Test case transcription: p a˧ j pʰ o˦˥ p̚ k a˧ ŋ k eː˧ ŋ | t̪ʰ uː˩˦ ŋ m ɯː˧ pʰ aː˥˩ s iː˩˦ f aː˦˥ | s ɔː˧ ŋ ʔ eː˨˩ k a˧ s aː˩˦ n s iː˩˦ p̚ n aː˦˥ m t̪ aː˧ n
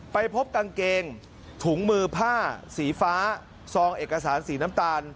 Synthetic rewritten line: p a˧ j pʰ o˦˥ p̚ k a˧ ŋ k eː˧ ŋ | t̪ʰ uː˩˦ ŋ m ɯː˧ pʰ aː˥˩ s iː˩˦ f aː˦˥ | s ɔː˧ ŋ ʔ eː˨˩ k a˧ s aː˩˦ n s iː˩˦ n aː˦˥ m t̪ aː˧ n